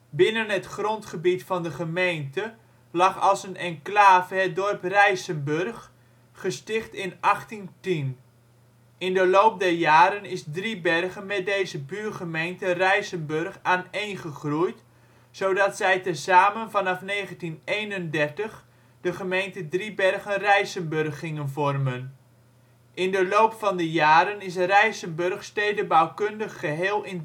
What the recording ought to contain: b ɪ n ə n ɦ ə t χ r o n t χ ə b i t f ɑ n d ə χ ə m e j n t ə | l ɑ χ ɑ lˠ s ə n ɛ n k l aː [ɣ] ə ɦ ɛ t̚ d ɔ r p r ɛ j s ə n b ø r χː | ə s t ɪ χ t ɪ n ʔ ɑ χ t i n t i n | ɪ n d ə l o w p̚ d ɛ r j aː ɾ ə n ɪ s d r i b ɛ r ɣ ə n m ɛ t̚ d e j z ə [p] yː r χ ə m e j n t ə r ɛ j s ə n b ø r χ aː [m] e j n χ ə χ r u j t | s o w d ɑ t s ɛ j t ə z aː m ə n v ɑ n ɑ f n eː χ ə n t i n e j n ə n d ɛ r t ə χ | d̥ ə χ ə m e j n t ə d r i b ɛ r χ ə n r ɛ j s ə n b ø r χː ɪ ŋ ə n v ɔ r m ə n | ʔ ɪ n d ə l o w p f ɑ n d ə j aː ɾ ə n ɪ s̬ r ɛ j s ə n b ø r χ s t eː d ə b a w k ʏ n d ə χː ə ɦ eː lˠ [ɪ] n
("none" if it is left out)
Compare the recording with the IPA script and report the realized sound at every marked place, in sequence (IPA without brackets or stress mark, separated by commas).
v, b, n, ɪ